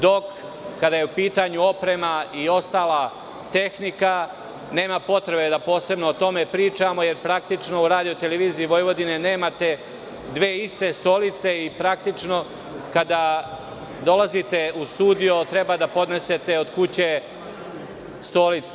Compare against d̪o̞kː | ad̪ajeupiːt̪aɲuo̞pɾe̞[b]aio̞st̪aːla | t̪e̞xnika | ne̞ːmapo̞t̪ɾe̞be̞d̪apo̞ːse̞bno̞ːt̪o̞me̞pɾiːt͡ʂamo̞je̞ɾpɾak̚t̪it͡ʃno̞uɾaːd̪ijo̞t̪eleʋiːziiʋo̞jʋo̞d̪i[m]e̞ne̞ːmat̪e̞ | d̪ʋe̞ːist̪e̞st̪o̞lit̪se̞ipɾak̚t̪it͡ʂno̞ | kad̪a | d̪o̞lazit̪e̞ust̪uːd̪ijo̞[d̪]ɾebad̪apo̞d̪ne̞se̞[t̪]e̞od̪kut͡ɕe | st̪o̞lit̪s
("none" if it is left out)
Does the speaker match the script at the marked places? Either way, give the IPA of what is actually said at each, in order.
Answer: m, n, t̪, t̪

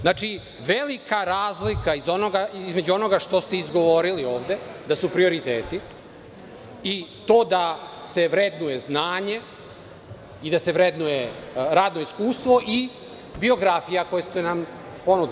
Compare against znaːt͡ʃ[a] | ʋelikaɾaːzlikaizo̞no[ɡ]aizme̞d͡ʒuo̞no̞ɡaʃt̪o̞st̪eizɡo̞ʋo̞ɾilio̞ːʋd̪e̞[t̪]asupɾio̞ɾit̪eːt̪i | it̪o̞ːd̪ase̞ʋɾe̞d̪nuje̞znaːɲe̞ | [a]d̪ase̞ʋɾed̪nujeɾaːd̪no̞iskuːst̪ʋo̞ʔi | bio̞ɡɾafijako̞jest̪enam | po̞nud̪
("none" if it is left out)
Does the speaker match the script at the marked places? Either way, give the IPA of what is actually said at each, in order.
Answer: i, ɡ, d̪, i

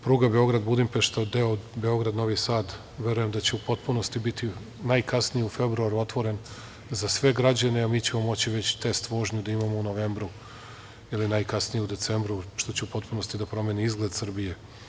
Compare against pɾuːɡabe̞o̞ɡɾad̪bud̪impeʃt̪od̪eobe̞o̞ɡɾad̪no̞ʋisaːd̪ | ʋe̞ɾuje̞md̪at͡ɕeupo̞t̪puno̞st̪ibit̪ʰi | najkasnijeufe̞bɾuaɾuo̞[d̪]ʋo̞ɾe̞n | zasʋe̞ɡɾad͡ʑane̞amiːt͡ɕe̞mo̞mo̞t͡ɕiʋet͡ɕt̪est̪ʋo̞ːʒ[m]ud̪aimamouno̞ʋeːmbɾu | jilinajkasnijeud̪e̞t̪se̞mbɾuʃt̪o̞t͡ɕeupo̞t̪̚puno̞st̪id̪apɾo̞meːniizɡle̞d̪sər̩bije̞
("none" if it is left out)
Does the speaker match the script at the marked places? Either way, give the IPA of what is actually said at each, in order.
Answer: t̪, ɲ

